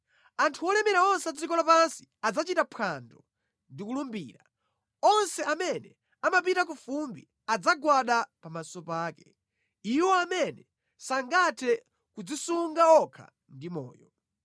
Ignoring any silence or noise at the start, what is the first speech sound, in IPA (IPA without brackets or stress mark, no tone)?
a